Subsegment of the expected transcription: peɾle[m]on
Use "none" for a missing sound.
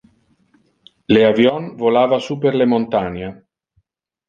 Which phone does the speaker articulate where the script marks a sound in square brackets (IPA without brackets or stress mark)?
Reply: m